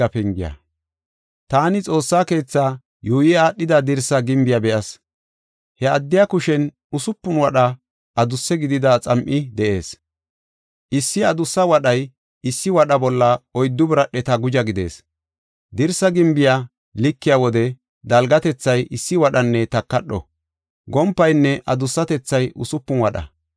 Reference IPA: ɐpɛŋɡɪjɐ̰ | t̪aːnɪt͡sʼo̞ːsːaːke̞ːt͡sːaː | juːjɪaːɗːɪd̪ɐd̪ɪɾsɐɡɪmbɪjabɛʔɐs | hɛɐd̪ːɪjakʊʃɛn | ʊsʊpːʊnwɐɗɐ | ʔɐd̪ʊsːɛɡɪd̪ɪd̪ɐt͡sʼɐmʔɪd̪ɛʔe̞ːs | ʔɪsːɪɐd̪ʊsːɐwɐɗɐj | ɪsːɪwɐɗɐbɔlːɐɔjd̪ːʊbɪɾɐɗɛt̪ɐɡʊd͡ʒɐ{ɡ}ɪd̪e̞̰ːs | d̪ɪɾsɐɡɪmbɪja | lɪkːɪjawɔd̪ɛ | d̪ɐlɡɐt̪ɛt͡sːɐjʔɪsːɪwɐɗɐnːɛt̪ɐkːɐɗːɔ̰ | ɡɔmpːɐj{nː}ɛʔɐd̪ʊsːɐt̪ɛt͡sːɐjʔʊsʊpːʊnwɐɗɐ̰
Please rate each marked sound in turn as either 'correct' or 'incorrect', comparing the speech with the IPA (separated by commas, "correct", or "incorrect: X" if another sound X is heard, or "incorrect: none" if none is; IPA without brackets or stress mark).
correct, correct